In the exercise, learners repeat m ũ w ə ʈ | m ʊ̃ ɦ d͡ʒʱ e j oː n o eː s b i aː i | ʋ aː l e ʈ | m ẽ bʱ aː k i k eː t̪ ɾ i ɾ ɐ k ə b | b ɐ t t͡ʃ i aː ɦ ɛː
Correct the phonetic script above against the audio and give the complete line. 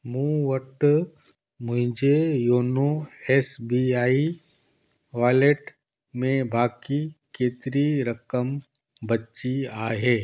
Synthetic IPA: m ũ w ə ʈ | m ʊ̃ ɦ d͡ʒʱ e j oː n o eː s b i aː i | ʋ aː l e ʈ | m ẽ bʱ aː k i k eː t̪ ɾ i ɾ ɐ k ə m | b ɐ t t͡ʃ i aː ɦ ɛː